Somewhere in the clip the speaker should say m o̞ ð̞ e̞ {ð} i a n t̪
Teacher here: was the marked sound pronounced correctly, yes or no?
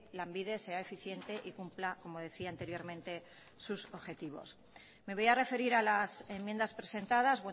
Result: no